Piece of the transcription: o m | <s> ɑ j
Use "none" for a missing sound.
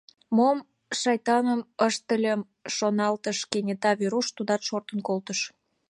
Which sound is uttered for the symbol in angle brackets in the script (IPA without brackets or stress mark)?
ʃ